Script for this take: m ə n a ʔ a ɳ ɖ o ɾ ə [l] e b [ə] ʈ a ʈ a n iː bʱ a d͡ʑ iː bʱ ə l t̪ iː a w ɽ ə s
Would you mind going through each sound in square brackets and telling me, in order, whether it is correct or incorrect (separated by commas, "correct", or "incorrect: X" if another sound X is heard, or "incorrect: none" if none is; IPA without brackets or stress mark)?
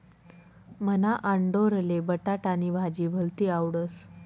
correct, correct